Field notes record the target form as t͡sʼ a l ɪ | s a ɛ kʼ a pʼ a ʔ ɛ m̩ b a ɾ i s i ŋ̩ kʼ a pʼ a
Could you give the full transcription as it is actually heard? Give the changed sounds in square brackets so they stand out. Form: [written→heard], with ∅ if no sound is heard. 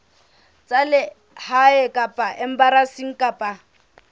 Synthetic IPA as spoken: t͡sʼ a l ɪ | [s→h] a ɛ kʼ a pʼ a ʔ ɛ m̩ b a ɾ [i→a] s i ŋ̩ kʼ a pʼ a